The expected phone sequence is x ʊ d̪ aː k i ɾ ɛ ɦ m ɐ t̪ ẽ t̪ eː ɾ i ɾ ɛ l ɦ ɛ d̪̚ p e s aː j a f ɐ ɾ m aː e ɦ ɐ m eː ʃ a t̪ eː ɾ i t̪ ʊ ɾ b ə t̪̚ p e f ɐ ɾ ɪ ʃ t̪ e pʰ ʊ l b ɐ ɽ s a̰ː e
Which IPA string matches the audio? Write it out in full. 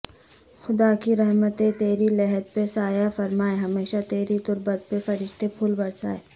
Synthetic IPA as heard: x ʊ d̪ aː k i ɾ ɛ ɦ m ə t̪ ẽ t̪ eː ɾ i l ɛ ɦ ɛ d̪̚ p e s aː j a f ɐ ɾ m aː e ɦ ɐ m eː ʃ a t̪ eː ɾ i t̪ ʊ ɾ b ə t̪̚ p e f ɐ ɾ ɪ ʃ t̪ e pʰ ʊ l b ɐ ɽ s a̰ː e